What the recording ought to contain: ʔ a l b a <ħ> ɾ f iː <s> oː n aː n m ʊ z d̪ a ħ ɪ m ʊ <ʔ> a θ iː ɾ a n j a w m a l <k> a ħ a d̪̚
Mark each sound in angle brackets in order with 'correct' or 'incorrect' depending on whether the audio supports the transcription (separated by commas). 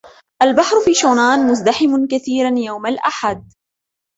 correct, incorrect, incorrect, incorrect